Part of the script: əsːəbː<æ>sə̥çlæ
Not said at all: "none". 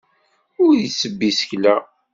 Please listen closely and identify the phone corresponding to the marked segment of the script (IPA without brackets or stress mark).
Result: i